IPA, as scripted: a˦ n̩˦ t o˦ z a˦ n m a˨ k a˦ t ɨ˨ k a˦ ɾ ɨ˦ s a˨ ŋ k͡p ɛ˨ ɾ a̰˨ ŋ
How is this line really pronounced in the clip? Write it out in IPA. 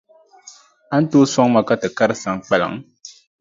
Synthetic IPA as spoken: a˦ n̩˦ t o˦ s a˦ ŋ m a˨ k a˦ t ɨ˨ k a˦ ɾ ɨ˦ s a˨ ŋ k͡p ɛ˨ l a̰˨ ŋ